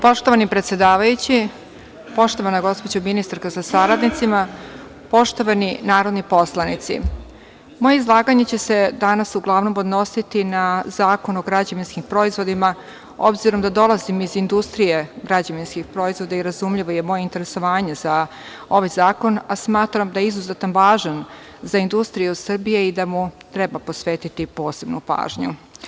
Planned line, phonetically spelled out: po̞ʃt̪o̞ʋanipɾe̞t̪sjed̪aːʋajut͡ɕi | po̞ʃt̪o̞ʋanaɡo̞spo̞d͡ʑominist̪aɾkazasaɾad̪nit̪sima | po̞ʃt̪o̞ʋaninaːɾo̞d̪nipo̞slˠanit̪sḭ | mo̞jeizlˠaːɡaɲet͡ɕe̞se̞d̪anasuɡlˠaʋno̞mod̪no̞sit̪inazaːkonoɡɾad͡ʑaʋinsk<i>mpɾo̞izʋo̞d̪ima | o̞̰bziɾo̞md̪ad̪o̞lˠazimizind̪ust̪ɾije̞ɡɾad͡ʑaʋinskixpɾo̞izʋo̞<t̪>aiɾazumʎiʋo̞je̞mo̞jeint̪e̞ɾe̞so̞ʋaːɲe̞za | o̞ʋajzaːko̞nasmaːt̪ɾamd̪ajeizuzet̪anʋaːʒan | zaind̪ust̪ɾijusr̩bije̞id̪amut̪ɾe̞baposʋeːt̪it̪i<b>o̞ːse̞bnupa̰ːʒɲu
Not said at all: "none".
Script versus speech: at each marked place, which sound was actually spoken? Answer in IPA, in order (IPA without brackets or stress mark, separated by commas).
i, d̪, p